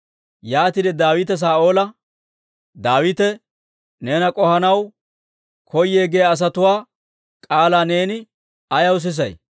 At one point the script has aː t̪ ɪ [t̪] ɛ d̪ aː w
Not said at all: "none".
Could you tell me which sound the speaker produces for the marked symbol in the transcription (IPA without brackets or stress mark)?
d̪